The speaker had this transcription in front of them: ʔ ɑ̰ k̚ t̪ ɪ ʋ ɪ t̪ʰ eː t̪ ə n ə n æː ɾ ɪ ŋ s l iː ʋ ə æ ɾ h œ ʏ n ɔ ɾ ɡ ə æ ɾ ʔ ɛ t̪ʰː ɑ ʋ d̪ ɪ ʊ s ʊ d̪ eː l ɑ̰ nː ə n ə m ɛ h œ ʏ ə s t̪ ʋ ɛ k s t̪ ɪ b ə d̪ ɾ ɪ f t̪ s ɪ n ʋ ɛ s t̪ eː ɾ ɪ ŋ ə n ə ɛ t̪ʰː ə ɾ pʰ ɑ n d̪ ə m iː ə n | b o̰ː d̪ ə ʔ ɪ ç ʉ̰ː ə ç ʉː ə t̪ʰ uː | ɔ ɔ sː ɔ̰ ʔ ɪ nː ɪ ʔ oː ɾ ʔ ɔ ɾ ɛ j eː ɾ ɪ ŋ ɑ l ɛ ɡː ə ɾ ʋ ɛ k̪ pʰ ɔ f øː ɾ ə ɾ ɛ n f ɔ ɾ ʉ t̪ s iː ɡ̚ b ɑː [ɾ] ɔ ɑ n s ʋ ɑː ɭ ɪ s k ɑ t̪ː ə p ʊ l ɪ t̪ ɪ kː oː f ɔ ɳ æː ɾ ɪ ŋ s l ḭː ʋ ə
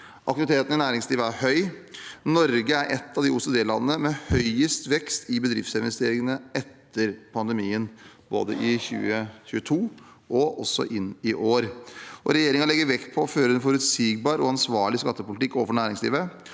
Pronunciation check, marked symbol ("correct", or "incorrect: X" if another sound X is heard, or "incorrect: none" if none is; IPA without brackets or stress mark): correct